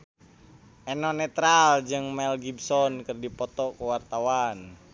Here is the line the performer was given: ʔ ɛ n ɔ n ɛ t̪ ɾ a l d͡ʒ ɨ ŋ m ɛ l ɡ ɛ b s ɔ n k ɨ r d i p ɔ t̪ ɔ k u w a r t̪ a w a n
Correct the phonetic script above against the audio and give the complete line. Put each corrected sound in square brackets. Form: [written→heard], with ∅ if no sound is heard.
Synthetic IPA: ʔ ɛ n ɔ n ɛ t̪ ɾ a l d͡ʒ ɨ ŋ m ɛ l ɡ [ɛ→i] b s ɔ n k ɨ r d i p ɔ t̪ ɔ k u w a r t̪ a w a n